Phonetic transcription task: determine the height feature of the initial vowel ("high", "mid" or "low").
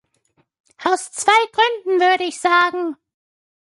low